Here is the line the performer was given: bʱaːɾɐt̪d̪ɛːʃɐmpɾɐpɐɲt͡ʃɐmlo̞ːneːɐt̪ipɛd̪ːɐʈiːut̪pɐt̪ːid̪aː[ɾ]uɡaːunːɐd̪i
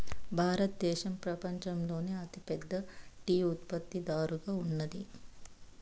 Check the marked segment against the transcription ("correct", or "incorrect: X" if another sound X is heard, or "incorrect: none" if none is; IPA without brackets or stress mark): correct